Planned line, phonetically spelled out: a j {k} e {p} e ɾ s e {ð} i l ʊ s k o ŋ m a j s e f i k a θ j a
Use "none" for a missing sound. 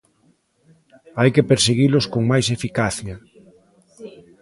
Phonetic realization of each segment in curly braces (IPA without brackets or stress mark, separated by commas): k, p, ɣ